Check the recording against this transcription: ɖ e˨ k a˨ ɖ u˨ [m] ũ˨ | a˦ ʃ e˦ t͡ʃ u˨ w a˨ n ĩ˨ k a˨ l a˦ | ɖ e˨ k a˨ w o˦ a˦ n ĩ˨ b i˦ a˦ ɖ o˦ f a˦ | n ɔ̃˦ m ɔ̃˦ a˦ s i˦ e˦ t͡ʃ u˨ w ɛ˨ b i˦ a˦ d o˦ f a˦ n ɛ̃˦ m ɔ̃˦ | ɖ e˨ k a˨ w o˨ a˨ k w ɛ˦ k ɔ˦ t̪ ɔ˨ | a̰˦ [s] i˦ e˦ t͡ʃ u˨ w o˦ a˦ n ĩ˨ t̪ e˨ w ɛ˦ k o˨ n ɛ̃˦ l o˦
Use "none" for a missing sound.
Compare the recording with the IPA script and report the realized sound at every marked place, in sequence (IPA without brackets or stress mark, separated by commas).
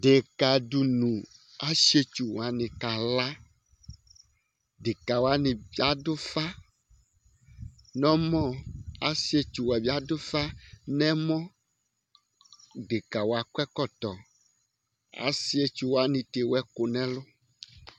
n, s